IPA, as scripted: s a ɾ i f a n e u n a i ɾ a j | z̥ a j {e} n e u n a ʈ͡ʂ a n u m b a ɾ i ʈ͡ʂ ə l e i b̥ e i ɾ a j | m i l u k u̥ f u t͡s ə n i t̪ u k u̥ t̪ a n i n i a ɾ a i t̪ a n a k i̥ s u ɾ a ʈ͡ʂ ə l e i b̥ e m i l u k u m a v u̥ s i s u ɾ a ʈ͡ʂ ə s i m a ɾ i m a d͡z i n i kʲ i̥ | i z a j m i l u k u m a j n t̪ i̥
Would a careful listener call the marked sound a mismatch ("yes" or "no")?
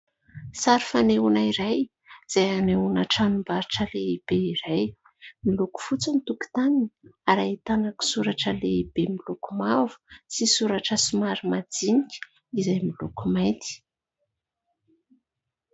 yes